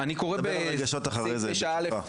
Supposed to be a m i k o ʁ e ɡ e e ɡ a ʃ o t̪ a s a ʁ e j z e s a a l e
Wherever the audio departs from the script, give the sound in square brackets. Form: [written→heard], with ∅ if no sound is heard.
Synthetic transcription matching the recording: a [m→n] i k o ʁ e [ɡ→b] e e ɡ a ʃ o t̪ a [s→χ] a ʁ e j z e [s→ʃ] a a l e

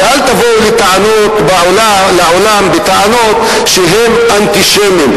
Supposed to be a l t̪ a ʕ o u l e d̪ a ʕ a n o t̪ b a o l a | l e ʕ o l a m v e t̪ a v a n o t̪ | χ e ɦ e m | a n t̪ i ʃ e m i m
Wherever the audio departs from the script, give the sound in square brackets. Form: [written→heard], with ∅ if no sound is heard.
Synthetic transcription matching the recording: a l t̪ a [ʕ→v] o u l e [d̪→t̪] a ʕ a n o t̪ b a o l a | l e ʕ o l a m [v→b] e t̪ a [v→ʕ] a n o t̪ | [χ→ʃ] e ɦ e m | a n t̪ i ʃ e m i m

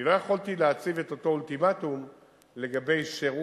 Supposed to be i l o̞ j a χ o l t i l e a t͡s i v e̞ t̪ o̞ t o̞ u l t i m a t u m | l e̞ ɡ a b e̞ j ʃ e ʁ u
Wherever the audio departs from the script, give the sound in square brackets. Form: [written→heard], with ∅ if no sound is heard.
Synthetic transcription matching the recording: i l o̞ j a χ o l t i l e a t͡s i v e̞ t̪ o̞ t o̞ u l t i m a t u m | l e̞ ɡ a b e̞ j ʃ e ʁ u

